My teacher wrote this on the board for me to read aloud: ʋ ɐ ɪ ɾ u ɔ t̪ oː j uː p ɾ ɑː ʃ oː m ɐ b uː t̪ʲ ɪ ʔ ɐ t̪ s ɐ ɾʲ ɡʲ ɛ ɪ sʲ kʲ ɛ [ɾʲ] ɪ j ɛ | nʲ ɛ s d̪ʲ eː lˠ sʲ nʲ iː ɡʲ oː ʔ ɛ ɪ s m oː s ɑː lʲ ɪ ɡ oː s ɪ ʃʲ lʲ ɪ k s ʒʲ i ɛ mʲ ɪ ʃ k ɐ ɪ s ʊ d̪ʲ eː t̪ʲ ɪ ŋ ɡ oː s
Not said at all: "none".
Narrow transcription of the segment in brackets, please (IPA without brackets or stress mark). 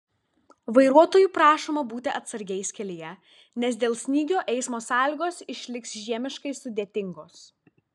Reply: lʲ